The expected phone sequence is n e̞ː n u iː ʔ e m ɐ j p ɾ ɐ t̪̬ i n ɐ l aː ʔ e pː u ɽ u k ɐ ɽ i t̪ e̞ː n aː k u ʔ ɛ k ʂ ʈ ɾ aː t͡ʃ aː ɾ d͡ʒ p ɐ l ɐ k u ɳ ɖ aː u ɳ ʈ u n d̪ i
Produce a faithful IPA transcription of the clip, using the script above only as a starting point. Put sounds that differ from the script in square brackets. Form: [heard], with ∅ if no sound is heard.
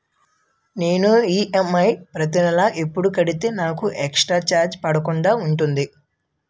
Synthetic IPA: n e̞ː n u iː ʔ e m ɐ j p ɾ ɐ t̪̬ i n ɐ l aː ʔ e pː u ɽ u k ɐ ɽ i t̪ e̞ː n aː k u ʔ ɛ k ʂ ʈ ɾ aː t͡ʃ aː ɾ d͡ʒ p ɐ [ɽ] ɐ k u ɳ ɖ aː u ɳ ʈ u n d̪ i